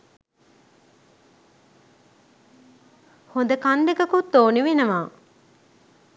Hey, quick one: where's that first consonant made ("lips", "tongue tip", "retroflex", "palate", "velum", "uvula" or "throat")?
throat